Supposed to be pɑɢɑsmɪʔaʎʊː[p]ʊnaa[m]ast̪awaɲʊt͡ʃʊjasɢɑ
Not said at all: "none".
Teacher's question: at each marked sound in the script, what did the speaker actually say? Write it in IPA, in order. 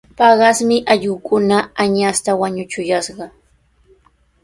k, ɲ

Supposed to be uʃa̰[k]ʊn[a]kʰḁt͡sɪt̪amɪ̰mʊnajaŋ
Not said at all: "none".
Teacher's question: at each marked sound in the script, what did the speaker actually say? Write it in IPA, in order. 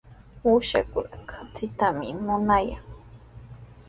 k, a

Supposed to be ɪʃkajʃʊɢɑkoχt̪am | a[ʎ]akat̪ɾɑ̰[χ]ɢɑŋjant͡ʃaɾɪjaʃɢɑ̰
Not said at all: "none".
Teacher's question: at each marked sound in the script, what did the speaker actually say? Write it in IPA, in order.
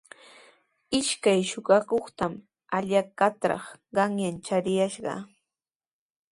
ʎ, χ

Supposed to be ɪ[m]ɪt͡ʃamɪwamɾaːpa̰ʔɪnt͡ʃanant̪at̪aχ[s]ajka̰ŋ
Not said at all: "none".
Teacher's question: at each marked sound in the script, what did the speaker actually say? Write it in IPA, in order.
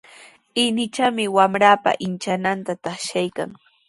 n, ʃ

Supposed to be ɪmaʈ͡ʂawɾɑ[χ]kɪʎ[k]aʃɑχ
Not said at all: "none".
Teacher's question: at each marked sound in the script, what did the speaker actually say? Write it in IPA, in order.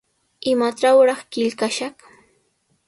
χ, k

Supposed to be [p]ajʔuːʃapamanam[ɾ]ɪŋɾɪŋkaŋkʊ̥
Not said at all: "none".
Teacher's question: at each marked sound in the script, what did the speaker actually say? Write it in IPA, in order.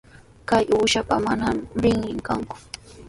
k, ɾ

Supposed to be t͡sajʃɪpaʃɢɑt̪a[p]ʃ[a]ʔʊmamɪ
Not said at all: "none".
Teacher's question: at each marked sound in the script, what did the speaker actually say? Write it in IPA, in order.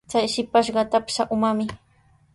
p, a

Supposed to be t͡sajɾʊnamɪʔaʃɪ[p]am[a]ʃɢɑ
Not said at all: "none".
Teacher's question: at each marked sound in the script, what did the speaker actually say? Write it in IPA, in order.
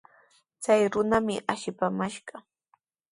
p, a

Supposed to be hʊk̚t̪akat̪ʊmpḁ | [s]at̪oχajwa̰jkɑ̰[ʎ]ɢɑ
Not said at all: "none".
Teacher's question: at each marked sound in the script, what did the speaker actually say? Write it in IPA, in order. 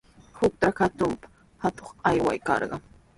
h, ɾ

